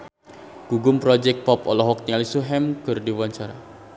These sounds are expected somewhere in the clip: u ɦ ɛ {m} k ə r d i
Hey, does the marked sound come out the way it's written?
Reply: yes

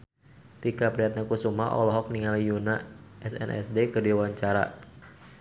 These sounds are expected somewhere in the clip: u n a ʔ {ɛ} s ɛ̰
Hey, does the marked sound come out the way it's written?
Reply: yes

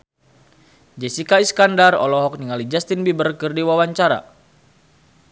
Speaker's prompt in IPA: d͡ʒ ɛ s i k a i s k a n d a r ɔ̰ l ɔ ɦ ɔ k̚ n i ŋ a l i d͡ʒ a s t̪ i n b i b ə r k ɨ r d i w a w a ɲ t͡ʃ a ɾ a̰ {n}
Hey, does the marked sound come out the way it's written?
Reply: no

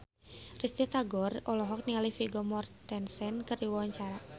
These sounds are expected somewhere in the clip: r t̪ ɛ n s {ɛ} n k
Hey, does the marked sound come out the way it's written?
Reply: yes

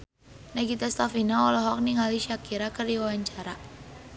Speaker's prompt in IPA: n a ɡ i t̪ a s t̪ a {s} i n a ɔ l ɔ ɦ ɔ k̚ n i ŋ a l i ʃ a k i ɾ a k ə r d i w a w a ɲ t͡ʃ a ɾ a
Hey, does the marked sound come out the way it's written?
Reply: no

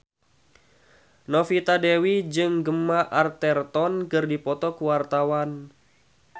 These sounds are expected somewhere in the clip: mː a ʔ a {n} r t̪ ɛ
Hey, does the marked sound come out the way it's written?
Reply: no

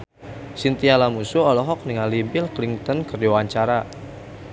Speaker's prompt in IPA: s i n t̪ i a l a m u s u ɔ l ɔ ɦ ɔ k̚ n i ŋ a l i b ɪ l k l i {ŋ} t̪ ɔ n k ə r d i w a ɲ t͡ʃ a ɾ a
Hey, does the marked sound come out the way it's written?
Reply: yes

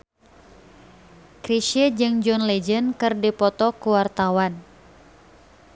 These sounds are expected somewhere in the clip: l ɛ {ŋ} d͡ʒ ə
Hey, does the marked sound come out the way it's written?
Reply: no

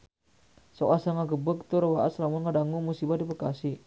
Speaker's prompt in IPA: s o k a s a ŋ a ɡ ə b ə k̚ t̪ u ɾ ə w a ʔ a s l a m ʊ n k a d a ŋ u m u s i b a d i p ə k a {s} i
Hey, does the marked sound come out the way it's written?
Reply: yes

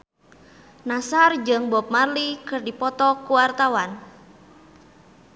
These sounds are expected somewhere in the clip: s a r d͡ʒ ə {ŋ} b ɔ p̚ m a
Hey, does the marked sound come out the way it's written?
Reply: yes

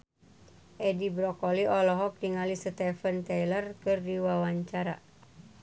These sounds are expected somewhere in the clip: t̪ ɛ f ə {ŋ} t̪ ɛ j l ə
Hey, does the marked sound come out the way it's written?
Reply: no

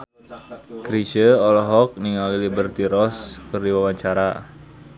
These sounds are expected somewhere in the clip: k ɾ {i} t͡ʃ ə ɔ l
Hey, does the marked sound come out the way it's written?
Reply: yes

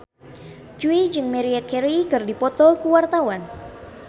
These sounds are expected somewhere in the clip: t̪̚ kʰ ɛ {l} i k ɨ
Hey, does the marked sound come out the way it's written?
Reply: no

